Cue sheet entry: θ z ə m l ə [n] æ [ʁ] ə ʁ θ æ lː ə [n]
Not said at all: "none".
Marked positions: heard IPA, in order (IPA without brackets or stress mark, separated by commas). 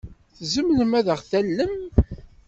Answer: m, ð, m